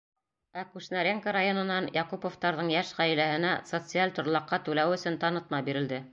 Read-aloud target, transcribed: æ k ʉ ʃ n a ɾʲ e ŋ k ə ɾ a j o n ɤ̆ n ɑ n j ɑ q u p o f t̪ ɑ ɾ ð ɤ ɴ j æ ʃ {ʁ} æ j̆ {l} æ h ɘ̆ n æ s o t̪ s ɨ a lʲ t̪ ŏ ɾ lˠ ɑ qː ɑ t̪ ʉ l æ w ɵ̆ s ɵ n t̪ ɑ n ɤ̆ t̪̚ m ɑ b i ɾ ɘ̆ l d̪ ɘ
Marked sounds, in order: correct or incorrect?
correct, correct

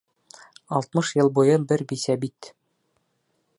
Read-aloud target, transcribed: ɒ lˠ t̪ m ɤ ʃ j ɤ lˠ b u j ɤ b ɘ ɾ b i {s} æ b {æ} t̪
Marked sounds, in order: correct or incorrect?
correct, incorrect

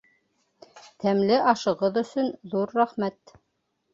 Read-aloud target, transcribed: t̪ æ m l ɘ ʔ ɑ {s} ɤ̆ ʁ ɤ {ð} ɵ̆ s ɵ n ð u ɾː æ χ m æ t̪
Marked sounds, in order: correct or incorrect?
incorrect, correct

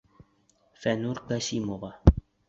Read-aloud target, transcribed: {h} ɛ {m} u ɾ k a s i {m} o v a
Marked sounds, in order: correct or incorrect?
incorrect, incorrect, correct

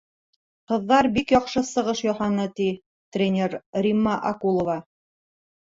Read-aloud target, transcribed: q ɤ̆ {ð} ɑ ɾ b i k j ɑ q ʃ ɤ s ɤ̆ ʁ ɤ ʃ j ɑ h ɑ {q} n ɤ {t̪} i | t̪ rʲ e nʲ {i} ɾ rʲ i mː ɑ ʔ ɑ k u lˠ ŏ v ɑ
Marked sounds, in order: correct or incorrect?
incorrect, incorrect, correct, incorrect

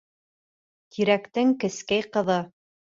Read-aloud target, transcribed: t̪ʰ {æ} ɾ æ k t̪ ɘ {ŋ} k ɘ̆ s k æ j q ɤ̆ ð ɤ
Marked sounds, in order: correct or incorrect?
incorrect, correct

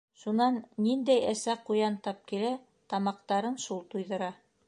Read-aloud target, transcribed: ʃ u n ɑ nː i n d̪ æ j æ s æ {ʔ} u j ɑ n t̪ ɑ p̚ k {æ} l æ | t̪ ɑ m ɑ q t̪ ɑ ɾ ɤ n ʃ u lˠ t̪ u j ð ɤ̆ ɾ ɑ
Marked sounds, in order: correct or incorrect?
incorrect, incorrect

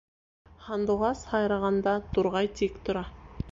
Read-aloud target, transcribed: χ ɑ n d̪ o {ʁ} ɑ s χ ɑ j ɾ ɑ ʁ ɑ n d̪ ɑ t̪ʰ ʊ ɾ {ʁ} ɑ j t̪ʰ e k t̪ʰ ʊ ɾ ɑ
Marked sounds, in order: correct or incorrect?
correct, correct

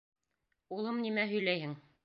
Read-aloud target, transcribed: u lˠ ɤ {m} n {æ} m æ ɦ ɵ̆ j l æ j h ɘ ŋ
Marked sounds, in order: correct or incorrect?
correct, incorrect

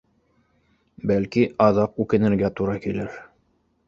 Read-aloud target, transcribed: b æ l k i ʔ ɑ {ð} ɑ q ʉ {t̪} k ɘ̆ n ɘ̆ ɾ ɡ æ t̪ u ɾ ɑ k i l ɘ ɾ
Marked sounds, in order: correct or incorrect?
correct, incorrect

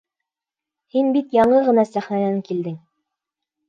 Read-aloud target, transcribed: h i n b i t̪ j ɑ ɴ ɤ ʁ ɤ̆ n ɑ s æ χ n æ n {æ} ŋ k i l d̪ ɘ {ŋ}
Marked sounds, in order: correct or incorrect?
correct, correct

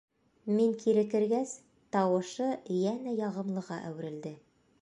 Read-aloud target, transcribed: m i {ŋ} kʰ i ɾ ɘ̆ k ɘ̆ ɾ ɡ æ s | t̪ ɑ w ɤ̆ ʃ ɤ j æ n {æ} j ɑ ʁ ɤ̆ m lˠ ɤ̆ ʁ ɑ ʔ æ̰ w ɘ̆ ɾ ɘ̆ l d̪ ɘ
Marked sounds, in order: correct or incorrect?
correct, correct

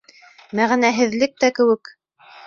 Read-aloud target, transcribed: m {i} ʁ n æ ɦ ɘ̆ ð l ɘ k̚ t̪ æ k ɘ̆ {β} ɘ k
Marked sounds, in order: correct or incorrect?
incorrect, incorrect

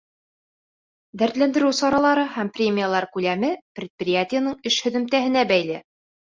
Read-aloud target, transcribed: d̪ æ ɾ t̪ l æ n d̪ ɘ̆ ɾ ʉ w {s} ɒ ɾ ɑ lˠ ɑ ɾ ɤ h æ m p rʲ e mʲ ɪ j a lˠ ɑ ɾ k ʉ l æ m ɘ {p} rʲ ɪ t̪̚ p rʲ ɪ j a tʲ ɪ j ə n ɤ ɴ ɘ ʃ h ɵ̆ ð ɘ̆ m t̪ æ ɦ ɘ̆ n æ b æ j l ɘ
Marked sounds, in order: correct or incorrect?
correct, correct

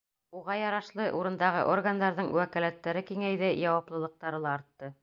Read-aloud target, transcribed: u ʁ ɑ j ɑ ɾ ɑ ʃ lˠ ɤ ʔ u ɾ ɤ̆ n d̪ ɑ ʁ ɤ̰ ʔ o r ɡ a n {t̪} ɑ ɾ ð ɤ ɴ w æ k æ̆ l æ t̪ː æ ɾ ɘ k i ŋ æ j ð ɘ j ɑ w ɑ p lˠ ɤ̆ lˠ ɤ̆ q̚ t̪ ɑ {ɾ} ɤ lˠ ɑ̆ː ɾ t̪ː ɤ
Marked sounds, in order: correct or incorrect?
incorrect, correct

